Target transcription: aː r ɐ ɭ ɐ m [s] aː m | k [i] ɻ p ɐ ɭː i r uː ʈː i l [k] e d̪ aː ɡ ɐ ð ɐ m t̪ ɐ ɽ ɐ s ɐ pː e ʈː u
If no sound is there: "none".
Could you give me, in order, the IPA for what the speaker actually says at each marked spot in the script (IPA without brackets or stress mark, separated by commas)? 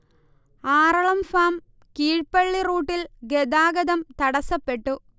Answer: f, iː, ɡ